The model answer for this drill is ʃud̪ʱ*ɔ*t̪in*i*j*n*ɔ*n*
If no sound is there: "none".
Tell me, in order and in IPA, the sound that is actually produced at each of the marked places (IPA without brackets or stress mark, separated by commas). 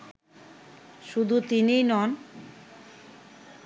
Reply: u, i, n, n